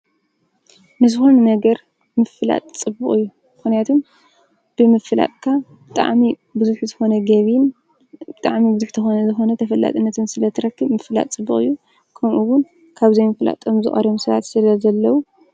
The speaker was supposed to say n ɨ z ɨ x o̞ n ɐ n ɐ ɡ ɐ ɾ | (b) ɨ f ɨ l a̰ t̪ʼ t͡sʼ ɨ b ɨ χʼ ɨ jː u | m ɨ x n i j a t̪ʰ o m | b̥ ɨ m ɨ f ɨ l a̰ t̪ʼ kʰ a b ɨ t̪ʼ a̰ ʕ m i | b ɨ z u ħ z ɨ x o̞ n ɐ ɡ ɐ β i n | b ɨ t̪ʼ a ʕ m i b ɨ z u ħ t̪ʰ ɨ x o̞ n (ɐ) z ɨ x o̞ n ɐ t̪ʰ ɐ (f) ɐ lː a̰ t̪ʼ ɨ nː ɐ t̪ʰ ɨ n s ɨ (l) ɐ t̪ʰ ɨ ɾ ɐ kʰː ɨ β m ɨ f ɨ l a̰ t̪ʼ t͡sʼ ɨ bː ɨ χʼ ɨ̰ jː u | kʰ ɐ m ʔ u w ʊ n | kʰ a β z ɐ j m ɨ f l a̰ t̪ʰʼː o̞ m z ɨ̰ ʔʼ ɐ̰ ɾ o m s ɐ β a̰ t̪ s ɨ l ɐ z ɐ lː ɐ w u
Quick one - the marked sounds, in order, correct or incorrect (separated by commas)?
incorrect, correct, correct, correct